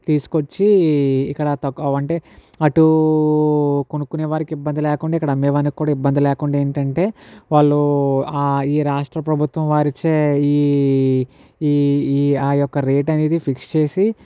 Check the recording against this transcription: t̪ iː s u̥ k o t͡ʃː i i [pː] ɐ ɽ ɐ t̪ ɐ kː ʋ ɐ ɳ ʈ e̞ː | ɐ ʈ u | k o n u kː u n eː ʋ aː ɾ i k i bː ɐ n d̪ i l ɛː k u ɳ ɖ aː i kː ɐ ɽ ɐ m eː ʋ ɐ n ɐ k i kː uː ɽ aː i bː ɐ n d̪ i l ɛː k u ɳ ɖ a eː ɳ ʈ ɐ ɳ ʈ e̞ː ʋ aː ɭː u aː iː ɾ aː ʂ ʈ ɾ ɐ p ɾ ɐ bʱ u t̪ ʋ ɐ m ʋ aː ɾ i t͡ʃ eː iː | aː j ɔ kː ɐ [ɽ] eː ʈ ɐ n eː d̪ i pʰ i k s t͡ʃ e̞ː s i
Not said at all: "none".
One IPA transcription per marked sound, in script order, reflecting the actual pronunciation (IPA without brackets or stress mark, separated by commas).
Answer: kː, ɾ